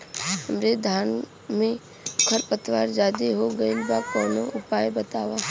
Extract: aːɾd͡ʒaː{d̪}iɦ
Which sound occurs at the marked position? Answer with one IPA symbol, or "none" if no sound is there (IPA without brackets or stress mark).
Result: d̪